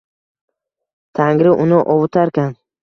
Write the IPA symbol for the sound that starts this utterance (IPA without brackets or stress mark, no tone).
t̪ʰ